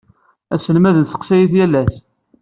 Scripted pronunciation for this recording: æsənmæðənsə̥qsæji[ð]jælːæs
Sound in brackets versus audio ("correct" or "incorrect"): incorrect